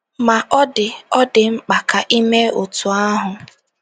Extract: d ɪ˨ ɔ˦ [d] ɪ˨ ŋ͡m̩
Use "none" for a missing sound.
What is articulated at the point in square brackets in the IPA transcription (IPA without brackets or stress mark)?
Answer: d